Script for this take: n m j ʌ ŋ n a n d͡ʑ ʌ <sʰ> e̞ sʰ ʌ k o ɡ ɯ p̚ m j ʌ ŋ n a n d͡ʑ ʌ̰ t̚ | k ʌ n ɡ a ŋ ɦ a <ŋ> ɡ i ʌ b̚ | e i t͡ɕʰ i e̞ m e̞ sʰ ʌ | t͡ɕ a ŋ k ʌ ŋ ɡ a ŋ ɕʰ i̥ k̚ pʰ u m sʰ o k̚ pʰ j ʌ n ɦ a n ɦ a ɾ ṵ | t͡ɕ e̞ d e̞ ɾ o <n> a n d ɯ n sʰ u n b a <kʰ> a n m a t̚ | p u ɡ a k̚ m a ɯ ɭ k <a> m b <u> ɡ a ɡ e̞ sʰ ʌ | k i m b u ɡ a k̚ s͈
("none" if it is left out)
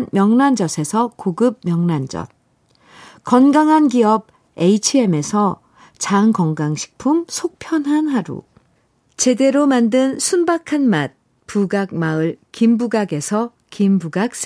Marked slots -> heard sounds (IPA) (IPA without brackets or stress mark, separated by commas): sʰ, n, m, kʰ, i, u